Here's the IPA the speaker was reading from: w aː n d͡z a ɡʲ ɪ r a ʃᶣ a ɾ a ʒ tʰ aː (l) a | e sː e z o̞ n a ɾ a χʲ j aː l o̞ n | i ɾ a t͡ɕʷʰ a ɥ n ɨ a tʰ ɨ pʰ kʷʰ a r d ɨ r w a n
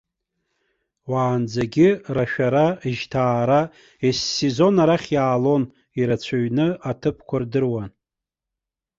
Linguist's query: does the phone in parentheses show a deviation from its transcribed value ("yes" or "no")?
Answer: yes